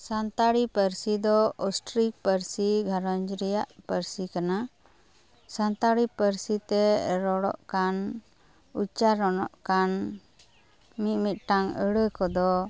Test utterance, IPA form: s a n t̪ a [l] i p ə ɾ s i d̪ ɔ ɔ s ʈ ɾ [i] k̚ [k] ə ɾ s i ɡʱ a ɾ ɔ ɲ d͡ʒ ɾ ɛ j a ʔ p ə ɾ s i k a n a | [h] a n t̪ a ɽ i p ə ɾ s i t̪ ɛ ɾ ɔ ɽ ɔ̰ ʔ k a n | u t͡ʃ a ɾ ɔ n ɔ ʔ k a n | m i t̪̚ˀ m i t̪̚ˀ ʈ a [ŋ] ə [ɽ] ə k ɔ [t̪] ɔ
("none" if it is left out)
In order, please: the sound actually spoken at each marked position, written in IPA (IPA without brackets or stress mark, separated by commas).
ɽ, i, p, s, ŋ, ɽ, d̪